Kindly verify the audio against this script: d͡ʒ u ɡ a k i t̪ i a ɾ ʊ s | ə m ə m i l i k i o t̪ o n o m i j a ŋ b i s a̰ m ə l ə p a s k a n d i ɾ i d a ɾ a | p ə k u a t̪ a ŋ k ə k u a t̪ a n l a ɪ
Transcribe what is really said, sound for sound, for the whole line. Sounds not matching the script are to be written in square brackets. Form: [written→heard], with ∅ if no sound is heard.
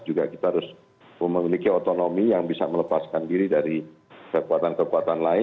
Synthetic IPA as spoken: d͡ʒ u ɡ a k i t̪ [i→a] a ɾ ʊ s | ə m ə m i l i k i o t̪ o n o m i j a ŋ b i s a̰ m ə l ə p a s k a n d i ɾ i d a ɾ [a→i] | [p→k] ə k u a t̪ a [ŋ→n] k ə k u a t̪ a n l a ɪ